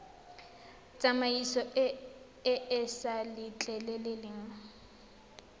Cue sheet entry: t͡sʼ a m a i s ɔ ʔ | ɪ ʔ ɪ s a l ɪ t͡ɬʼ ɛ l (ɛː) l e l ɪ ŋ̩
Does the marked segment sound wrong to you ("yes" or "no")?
yes